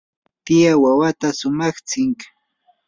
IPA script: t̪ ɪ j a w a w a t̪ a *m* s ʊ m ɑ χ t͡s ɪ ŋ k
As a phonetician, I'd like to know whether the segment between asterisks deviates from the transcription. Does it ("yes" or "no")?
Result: yes